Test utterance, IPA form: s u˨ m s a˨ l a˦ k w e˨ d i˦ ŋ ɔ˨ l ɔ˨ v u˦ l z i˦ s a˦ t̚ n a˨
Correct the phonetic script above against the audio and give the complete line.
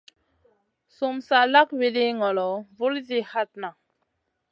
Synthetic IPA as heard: s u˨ m s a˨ l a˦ k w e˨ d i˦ ŋ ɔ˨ l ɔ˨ v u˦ l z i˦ h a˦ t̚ n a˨